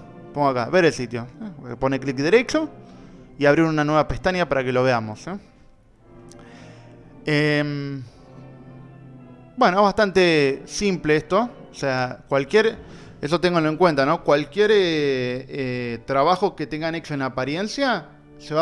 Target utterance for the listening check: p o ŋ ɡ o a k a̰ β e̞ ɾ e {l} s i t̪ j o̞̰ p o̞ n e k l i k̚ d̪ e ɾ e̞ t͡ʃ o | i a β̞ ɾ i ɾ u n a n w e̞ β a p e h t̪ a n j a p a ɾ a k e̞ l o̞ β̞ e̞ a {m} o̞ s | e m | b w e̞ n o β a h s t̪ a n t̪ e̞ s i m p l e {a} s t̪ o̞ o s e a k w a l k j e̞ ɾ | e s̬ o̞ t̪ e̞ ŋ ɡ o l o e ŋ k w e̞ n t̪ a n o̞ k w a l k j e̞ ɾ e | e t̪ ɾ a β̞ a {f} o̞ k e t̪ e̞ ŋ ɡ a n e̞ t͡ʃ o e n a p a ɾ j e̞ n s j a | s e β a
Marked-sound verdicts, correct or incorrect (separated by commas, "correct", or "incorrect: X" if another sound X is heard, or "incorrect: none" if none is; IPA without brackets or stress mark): correct, correct, incorrect: e, incorrect: x